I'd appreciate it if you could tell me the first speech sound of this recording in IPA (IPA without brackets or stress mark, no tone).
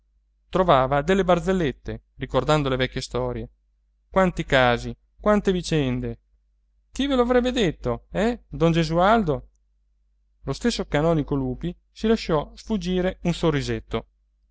t̪